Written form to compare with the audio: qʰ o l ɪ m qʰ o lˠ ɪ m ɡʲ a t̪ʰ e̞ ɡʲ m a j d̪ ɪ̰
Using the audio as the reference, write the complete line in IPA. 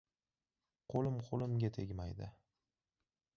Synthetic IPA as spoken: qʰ o l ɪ m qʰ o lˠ ɪ m ɡʲ a t̪ʰ e̞ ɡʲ m a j d̪ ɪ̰

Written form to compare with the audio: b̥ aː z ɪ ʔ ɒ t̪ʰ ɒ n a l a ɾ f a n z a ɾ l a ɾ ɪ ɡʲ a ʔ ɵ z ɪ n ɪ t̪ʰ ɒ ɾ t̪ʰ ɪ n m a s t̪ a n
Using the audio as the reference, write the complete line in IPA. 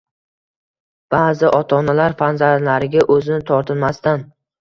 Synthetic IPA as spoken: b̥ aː z ɪ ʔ ɒ t̪ʰ ɒ n a l a ɾ f a n z a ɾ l a ɾ ɪ ɡʲ a ʔ ɵ z ɪ n ɪ t̪ʰ ɒ ɾ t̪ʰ ɪ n m a s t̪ a n

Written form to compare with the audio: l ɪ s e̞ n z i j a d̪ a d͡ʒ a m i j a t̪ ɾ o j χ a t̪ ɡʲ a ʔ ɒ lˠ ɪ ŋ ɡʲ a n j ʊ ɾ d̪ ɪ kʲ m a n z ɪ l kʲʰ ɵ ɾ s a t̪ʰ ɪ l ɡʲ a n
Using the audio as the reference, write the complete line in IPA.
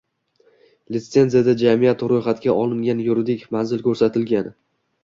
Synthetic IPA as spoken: l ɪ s e̞ n z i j a d̪ a d͡ʒ a m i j a t̪ ɾ o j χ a t̪ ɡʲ a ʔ ɒ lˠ ɪ ŋ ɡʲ a n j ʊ ɾ d̪ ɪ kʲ m a n z ɪ l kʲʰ ɵ ɾ s a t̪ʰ ɪ l ɡʲ a n

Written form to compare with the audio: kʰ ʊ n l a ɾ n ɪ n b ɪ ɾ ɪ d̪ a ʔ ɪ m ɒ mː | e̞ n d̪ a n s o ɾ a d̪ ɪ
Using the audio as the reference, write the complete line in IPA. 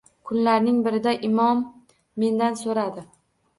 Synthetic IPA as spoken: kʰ ʊ n l a ɾ n ɪ ŋ b ɪ ɾ ɪ d̪ a ʔ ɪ m ɒ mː | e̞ n d̪ a n s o ɾ a d̪ ɪ

